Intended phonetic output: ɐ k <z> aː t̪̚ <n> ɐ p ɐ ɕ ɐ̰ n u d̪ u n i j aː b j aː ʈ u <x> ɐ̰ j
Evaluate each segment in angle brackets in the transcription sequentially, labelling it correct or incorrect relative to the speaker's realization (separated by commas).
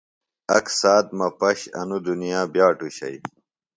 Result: incorrect, incorrect, incorrect